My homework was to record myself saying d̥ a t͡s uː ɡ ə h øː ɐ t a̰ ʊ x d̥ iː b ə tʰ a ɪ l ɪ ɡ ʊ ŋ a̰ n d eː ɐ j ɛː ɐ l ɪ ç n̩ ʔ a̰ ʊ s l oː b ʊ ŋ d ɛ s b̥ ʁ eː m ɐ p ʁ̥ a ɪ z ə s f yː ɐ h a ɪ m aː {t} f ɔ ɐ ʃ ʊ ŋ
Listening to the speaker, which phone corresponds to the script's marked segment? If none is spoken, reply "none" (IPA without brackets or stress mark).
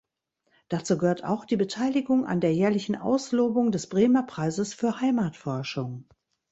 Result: t